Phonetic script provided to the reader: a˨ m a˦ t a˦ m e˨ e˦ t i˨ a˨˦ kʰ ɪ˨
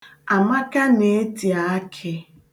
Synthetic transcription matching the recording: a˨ m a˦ k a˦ n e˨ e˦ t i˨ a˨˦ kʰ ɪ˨